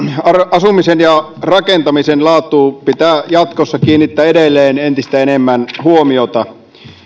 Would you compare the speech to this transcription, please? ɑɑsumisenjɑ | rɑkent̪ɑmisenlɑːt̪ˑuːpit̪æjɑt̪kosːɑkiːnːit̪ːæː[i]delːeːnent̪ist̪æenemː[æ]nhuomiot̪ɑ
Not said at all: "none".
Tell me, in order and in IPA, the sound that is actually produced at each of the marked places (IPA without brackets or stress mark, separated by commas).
e, æ